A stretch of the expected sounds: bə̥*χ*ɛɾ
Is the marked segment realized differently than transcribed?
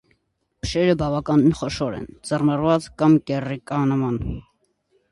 yes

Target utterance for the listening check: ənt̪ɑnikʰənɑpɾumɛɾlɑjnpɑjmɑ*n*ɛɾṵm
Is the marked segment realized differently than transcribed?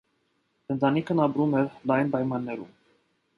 yes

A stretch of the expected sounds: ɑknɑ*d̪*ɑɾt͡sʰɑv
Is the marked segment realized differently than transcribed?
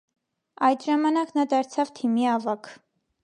no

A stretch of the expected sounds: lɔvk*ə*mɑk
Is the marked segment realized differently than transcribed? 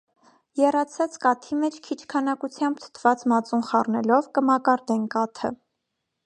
no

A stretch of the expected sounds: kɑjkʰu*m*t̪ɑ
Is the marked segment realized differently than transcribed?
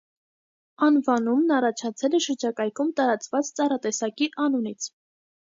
no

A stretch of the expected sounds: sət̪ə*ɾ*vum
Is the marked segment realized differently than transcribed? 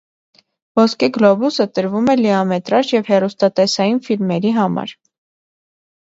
no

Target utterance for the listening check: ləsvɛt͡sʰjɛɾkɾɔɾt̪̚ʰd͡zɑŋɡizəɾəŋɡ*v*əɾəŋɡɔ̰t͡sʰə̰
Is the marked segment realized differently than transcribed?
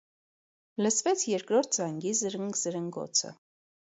yes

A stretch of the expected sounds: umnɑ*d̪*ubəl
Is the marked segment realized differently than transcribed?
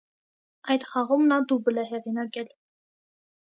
no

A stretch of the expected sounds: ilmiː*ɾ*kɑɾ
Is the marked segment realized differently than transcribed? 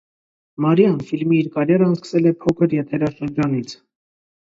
no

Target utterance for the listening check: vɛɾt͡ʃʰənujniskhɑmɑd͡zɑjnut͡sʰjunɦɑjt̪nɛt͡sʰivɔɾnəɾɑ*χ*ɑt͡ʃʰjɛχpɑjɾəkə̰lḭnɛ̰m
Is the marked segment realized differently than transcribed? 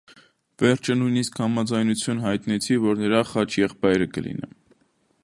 no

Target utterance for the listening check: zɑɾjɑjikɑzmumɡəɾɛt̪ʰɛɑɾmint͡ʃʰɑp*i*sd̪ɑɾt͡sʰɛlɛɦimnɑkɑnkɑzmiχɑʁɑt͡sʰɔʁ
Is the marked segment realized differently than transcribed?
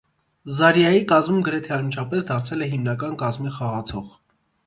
yes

